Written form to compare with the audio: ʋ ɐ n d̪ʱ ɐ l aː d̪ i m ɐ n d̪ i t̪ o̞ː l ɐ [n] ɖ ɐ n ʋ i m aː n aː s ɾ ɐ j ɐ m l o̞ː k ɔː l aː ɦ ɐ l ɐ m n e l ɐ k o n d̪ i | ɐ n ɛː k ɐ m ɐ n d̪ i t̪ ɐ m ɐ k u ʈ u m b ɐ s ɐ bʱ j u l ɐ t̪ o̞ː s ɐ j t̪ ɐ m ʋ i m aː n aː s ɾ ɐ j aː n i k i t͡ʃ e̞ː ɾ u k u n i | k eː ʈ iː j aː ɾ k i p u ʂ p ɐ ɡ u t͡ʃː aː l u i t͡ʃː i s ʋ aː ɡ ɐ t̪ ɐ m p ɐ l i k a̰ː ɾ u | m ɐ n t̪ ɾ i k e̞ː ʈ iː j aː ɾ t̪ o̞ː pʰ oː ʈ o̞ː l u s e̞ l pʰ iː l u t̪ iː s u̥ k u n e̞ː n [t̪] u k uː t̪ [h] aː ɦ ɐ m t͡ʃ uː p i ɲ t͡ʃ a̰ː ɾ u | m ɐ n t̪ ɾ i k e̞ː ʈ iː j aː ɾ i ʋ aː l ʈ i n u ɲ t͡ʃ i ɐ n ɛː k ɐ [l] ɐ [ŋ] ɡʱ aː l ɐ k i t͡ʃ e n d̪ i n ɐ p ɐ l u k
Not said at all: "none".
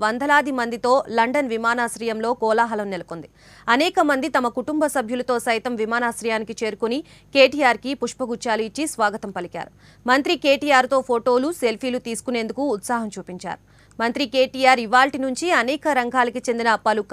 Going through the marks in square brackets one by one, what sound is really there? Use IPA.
ɳ, d̪, s, ɾ, ŋ

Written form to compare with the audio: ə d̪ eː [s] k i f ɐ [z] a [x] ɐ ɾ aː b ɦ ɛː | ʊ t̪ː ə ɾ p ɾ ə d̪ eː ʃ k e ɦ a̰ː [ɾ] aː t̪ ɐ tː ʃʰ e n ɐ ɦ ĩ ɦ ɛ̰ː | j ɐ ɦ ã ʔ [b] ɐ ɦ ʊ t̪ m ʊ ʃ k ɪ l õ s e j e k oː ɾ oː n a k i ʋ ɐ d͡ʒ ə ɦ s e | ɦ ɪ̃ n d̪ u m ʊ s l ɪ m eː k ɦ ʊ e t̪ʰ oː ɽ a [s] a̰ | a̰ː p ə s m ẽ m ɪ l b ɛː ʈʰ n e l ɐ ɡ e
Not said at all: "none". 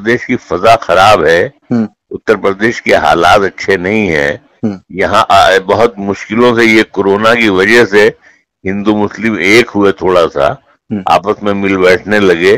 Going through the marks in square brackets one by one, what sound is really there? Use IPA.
ʃ, z, x, l, b, s

